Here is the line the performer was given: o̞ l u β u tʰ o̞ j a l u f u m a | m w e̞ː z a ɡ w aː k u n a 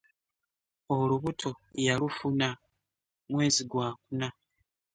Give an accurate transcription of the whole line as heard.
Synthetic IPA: o̞ l u β u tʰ o̞ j a l u f u n a | m w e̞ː z i ɡ w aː k u n a

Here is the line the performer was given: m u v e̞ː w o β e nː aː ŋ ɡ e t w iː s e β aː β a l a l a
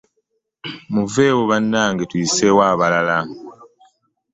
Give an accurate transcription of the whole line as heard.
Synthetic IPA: m u v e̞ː w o β a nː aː ŋ ɡ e t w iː s e w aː β a l a l a

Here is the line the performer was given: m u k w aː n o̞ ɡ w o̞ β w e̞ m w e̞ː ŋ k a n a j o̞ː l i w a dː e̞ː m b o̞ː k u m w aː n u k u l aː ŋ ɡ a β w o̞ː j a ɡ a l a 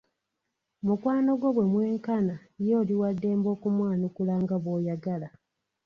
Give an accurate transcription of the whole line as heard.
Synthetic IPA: m u k w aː n o̞ ɡ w o̞ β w e̞ m w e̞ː ŋ k a n a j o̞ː l i w a dː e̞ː m b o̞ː k u m w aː n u k u l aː ŋ ɡ a β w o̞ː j a ɡ a l a

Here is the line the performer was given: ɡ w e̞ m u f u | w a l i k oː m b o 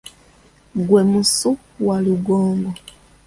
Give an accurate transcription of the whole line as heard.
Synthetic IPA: ɡ w e̞ m u s u | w a l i ɡ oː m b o

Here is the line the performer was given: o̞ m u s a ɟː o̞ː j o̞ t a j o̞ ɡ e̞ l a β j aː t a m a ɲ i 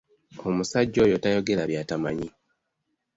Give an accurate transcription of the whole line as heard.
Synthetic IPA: o̞ m u s a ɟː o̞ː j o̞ t a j o̞ ɡ e̞ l a β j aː t a m a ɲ i

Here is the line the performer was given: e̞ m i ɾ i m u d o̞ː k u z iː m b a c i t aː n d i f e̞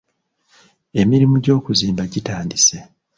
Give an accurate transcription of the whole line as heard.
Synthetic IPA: e̞ m i ɾ i m u ɟ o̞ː k u z iː m b a ɟ i t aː n d i s e̞

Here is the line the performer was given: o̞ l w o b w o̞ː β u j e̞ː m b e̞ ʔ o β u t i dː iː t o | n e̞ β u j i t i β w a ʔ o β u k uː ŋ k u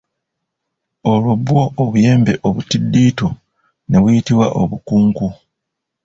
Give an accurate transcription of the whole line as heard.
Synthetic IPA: o̞ l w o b w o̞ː β u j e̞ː m b e̞ ʔ o β u t i dː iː t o | n e̞ β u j i t i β w a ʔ o β u k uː ŋ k u

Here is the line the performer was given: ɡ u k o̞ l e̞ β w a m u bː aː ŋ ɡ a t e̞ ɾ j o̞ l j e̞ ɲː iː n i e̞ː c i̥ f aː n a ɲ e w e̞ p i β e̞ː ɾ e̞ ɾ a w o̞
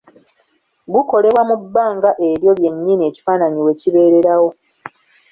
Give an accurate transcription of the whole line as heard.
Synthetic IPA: ɡ u k o̞ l e̞ β w a m u bː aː ŋ ɡ a ʔ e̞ ɾ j o̞ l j e̞ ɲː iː n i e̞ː c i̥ f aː n a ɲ i w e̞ c i β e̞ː ɾ e̞ ɾ a w o̞

